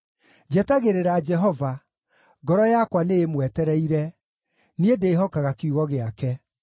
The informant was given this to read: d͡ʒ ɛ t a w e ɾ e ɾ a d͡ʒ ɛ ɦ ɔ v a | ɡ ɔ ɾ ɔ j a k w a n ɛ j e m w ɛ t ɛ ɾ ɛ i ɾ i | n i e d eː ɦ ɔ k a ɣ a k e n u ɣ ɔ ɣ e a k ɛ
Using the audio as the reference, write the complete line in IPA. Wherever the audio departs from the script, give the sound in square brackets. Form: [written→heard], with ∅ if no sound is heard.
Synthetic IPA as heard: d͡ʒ ɛ t a [w→ɣ] e ɾ e ɾ a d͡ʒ ɛ ɦ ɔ v a | ɡ ɔ ɾ ɔ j a k w a n [ɛ→e] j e m w ɛ t ɛ ɾ ɛ i ɾ [i→ɛ] | n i e d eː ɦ ɔ k a ɣ a k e [n→∅] u ɣ ɔ ɣ e a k ɛ